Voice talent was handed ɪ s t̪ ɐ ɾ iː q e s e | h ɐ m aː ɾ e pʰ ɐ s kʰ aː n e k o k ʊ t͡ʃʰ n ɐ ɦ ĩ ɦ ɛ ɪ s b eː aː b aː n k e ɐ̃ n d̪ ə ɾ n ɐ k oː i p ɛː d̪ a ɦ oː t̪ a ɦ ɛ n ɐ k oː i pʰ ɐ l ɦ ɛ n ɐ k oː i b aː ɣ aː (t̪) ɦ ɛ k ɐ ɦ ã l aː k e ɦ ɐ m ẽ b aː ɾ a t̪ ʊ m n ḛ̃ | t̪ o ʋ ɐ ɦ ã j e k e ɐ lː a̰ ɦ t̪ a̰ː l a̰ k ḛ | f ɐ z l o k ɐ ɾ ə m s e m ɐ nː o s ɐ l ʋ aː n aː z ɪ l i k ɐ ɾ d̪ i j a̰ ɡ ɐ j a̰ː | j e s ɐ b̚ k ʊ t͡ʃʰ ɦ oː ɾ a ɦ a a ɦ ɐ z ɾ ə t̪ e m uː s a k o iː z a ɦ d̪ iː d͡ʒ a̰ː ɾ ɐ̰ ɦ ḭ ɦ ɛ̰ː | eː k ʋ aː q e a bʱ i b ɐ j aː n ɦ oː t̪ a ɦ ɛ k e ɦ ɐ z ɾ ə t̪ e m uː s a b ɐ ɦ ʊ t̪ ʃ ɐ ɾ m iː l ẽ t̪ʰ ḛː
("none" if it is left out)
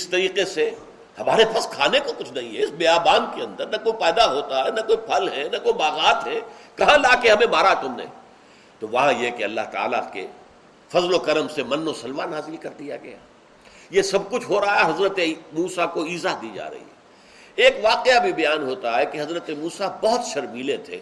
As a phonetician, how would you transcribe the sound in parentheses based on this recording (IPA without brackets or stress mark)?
t̪